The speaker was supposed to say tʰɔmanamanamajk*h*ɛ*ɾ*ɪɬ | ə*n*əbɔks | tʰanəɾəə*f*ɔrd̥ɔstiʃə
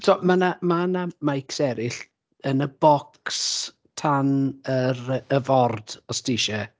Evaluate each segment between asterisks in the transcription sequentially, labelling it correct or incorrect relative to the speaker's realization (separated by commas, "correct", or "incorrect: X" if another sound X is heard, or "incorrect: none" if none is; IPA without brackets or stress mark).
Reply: incorrect: s, correct, correct, incorrect: v